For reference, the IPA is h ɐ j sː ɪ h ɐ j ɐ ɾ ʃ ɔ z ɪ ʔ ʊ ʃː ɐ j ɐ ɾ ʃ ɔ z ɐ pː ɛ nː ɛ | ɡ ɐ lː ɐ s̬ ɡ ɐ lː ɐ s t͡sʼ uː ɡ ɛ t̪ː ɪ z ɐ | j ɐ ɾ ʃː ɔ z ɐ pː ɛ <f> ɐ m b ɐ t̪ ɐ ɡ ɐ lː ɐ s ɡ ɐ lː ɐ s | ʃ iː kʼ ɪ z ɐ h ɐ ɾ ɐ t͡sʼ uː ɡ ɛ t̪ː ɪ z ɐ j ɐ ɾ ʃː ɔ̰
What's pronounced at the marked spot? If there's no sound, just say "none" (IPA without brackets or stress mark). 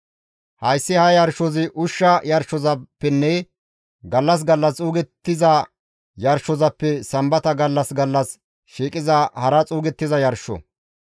s